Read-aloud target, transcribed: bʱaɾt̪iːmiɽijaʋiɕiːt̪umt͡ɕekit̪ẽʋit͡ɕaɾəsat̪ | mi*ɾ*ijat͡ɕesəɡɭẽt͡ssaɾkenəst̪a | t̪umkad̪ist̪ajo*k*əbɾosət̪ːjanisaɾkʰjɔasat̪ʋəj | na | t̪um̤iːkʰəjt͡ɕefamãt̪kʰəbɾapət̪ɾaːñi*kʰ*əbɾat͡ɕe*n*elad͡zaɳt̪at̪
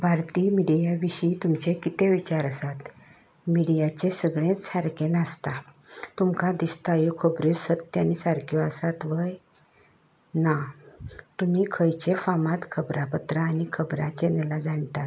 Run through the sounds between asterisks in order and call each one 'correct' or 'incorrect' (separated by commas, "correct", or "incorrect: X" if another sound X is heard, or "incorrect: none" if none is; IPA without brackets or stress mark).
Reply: incorrect: ɽ, incorrect: kʰ, correct, correct